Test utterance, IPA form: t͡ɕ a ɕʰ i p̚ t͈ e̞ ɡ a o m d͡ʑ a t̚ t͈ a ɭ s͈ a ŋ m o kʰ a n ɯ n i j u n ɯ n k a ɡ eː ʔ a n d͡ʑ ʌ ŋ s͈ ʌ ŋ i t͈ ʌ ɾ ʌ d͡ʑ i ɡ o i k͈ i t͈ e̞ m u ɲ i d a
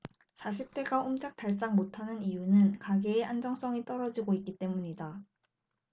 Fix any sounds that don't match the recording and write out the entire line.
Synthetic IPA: t͡ɕ a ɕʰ i p̚ t͈ e̞ ɡ a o m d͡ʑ a k̚ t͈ a ɭ s͈ a ŋ m o tʰ a n ɯ n i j u n ɯ n k a ɡ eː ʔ a n d͡ʑ ʌ ŋ s͈ ʌ ŋ i t͈ ʌ ɾ ʌ d͡ʑ i ɡ o i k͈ i t͈ e̞ m u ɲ i d a

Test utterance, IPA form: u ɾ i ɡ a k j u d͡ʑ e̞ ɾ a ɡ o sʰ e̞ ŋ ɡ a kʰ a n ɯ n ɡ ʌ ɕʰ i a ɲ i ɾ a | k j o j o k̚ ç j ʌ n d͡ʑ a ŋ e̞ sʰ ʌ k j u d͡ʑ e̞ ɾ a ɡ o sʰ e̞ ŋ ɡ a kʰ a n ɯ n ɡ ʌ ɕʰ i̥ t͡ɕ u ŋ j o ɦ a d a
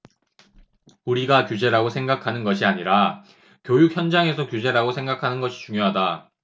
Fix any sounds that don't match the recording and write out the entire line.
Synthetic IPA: u ɾ i ɡ a k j u d͡ʑ e̞ ɾ a ɡ o sʰ e̞ ŋ ɡ a kʰ a n ɯ n ɡ ʌ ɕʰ i a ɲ i ɾ a | k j o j u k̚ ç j ʌ n d͡ʑ a ŋ e̞ sʰ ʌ k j u d͡ʑ e̞ ɾ a ɡ o sʰ e̞ ŋ ɡ a kʰ a n ɯ n ɡ ʌ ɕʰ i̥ t͡ɕ u ŋ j o ɦ a d a

